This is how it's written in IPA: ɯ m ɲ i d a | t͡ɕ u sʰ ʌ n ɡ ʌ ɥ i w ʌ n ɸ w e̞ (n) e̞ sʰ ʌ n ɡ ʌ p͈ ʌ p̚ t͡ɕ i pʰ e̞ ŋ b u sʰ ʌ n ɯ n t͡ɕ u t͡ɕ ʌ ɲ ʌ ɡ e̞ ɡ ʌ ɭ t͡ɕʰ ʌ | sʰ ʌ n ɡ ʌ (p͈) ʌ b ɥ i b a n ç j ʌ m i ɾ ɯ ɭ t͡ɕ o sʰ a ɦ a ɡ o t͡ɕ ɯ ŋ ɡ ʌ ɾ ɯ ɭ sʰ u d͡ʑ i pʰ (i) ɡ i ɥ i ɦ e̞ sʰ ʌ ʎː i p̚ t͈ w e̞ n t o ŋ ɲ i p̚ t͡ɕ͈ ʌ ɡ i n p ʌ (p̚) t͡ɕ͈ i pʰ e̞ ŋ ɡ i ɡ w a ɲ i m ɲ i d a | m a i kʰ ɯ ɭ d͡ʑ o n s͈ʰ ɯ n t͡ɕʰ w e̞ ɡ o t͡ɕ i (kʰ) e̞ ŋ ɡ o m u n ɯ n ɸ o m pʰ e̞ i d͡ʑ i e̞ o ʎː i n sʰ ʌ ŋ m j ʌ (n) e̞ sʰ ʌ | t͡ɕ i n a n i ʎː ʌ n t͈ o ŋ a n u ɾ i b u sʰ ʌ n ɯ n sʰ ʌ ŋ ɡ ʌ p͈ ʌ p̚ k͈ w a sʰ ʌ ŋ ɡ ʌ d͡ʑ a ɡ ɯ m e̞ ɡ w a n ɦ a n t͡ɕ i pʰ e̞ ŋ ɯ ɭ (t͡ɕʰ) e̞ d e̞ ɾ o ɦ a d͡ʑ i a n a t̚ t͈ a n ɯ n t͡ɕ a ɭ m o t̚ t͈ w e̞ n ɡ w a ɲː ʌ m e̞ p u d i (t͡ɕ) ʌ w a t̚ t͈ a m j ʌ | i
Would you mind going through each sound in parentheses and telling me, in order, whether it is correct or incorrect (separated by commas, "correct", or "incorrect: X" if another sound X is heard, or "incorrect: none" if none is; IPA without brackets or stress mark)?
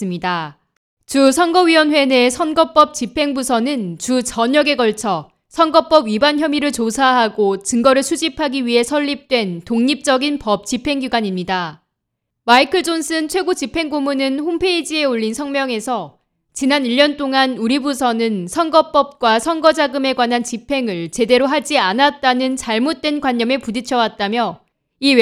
correct, correct, incorrect: a, correct, incorrect: pʰ, incorrect: ŋ, incorrect: t͡ɕ, incorrect: t͡ɕʰ